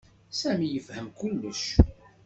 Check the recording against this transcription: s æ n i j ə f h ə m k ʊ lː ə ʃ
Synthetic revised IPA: s æ m i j ə f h ə m k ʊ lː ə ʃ